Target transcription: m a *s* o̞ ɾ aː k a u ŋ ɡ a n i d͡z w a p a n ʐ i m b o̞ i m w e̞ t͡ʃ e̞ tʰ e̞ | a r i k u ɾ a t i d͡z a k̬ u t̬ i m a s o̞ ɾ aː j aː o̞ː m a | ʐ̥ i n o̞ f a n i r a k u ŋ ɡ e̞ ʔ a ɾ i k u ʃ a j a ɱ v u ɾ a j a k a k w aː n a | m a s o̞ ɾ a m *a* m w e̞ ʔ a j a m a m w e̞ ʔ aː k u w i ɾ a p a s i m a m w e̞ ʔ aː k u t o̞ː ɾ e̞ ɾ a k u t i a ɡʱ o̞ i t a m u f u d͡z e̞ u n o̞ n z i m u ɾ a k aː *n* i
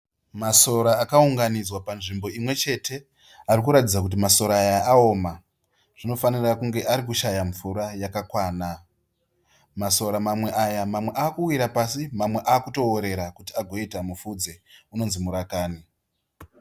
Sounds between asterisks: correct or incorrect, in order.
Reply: correct, correct, correct

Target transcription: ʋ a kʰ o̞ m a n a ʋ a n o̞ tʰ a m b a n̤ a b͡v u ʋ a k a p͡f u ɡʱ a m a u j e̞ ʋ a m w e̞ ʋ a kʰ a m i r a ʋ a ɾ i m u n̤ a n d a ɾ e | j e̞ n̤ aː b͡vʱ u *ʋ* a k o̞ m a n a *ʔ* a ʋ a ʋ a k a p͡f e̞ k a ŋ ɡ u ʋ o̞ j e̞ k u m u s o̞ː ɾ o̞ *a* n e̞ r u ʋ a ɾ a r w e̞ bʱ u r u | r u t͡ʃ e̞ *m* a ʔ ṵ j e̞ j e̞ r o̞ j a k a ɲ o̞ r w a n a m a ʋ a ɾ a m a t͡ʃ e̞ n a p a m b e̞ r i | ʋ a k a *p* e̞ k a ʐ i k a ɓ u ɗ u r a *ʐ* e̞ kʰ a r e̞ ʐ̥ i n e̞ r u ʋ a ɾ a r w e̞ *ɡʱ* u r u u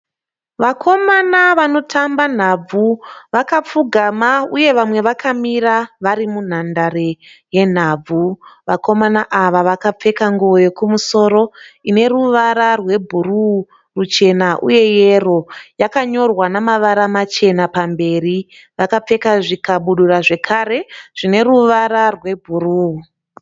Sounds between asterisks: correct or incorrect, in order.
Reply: correct, correct, incorrect: i, incorrect: n, incorrect: p͡f, correct, incorrect: bʱ

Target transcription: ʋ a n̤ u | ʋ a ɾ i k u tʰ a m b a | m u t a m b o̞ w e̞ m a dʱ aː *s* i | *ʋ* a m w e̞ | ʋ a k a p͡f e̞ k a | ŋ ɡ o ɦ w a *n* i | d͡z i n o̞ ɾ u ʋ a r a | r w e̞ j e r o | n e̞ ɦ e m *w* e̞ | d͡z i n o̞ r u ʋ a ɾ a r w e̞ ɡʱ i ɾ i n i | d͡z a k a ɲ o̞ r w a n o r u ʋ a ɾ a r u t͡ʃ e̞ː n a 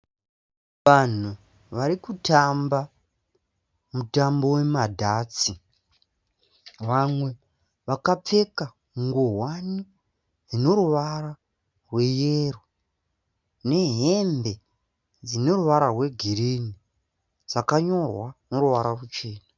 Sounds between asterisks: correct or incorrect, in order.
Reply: incorrect: t͡s, correct, correct, incorrect: b

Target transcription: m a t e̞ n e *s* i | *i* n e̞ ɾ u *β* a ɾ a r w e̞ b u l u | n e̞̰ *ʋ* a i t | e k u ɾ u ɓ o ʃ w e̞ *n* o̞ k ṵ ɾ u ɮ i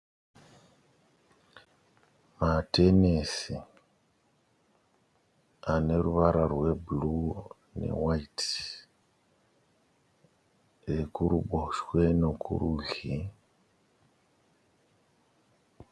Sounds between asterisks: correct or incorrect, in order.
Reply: correct, incorrect: a, correct, incorrect: w, correct

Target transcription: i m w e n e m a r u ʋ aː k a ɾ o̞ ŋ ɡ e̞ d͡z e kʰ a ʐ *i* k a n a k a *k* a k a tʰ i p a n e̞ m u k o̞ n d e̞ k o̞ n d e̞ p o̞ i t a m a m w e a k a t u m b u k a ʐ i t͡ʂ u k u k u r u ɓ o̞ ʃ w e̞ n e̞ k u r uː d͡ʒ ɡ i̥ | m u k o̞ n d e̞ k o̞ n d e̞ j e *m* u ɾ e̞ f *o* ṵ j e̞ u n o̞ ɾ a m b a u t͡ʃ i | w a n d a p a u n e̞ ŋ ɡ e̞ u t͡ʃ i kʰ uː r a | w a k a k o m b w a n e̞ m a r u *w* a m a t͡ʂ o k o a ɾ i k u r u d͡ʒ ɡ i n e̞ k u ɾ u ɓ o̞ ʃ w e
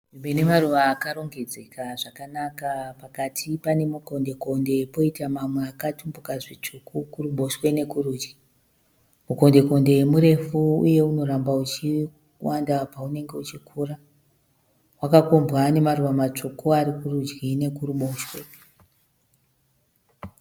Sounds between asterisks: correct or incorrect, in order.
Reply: incorrect: a, incorrect: p, correct, incorrect: u, incorrect: ʋ

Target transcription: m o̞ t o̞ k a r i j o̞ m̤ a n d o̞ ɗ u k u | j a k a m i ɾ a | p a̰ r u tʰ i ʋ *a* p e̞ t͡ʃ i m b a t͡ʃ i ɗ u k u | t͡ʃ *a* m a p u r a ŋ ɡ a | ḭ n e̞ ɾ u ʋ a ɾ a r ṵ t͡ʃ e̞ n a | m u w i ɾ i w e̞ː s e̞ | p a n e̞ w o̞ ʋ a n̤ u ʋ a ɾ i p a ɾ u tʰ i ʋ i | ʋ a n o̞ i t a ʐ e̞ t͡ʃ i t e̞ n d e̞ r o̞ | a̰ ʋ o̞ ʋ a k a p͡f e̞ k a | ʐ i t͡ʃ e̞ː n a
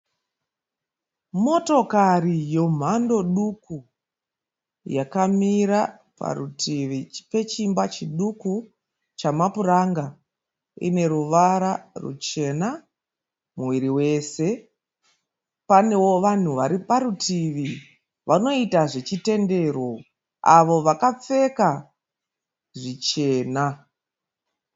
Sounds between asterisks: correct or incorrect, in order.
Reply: incorrect: i, correct

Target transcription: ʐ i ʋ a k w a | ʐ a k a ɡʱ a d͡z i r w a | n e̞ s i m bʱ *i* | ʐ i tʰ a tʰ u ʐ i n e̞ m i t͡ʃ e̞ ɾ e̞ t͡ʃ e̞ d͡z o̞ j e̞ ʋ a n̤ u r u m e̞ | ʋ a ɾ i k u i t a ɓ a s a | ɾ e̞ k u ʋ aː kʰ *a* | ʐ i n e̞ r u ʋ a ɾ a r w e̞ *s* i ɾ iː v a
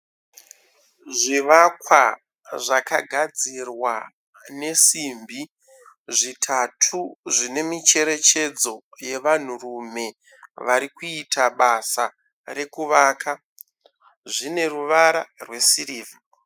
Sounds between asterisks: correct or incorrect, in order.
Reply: correct, correct, correct

